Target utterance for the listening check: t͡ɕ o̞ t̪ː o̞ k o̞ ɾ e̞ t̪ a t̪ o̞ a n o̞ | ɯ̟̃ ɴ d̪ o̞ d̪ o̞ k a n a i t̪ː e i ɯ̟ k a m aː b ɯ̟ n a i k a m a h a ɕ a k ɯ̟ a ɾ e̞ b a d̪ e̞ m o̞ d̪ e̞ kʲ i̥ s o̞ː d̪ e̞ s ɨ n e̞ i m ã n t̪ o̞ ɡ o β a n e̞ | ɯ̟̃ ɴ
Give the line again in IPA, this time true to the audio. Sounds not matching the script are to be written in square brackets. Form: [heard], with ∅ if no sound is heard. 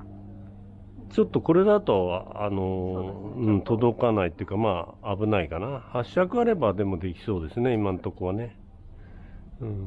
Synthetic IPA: t͡ɕ o̞ t̪ː o̞ k o̞ ɾ e̞ [d̪] a t̪ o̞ a n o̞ | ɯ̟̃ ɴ [t̪] o̞ d̪ o̞ k a n a i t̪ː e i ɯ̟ k a m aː b ɯ̟ n a i k a [n] a h a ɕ a k ɯ̟ a ɾ e̞ b a d̪ e̞ m o̞ d̪ e̞ kʲ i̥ s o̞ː d̪ e̞ s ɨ n e̞ i m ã n t̪ o̞ [k] o β a n e̞ | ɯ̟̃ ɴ